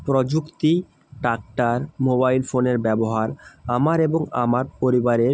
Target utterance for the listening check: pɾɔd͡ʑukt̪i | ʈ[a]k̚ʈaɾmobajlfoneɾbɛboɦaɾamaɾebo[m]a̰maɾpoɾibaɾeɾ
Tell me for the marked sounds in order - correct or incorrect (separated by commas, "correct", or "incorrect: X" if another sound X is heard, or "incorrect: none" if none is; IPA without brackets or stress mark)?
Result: correct, incorrect: ŋ